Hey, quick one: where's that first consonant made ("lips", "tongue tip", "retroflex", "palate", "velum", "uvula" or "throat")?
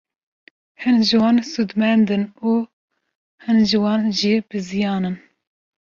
throat